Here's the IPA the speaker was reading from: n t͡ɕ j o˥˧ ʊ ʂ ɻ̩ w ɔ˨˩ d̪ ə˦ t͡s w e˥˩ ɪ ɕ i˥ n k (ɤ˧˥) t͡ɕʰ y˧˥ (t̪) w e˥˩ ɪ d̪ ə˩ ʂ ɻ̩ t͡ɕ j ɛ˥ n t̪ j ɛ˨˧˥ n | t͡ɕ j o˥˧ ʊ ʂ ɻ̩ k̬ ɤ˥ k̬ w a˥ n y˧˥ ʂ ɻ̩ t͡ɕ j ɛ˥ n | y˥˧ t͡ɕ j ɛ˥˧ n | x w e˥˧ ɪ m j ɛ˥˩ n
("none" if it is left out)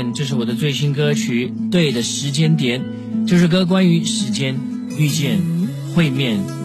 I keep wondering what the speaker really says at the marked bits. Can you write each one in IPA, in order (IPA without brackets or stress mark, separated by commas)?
ɤ˥, t̪